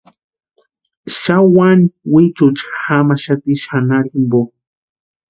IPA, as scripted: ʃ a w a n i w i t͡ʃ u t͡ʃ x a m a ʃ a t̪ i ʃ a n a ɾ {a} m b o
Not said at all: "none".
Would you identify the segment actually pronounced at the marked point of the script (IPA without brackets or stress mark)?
i